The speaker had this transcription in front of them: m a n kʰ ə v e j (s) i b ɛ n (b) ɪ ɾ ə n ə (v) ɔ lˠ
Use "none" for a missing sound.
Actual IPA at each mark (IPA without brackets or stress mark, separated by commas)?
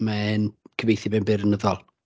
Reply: θ, b, ð